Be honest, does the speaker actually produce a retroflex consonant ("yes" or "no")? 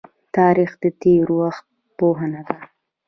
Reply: no